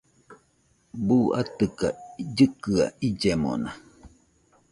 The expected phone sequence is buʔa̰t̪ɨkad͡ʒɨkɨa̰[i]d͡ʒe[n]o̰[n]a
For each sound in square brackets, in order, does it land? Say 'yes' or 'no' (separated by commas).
yes, no, yes